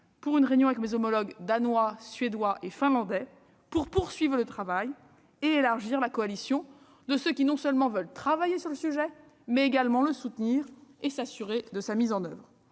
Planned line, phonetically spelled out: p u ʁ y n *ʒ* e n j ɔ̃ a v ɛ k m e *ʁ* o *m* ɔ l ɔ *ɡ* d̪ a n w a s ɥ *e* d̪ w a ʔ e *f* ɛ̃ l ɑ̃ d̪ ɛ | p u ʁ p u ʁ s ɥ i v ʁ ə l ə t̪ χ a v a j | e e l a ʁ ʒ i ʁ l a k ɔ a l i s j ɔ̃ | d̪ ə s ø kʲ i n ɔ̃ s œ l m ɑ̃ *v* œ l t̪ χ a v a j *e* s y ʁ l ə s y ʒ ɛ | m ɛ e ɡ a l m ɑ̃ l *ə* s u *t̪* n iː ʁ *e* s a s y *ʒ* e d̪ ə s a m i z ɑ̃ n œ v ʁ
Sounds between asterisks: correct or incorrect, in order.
incorrect: ʁ, incorrect: z, correct, correct, correct, correct, correct, correct, correct, correct, correct, incorrect: ʁ

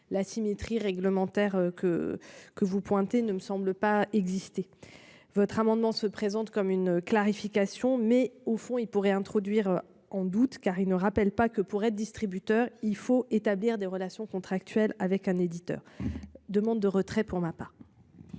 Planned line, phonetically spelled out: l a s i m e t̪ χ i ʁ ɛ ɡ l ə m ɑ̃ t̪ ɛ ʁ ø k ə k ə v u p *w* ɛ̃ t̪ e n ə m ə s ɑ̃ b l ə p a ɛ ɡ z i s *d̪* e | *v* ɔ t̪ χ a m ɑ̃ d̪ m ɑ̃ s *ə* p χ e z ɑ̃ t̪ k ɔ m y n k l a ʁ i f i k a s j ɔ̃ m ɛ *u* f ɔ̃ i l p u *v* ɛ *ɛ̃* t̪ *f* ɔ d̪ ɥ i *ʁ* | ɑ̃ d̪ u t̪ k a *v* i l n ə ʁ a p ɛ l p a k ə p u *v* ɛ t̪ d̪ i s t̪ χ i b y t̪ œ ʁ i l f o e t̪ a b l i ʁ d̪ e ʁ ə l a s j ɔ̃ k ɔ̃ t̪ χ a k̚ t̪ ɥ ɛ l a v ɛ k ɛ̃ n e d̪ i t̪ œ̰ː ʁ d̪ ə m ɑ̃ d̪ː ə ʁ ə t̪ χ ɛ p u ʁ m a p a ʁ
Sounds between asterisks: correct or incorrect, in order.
correct, incorrect: t̪, correct, correct, incorrect: o, incorrect: ʁ, correct, incorrect: χ, correct, incorrect: ʁ, incorrect: ʁ

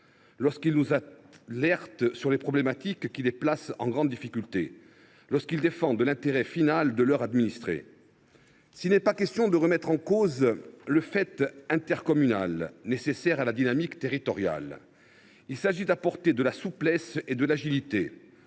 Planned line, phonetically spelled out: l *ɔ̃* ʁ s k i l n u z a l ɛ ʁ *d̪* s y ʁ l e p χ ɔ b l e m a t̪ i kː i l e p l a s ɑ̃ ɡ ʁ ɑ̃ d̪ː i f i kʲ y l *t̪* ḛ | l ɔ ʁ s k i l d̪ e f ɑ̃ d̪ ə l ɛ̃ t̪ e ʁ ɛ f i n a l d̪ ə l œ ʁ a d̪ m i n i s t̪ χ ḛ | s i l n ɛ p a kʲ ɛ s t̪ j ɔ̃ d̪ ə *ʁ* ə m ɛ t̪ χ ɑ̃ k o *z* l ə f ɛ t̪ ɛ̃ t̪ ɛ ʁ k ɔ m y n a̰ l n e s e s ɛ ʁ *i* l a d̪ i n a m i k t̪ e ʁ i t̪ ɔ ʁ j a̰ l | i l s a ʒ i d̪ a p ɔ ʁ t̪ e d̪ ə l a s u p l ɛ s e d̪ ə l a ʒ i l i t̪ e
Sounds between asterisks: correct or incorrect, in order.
incorrect: ɔ, incorrect: t̪, correct, correct, correct, incorrect: a

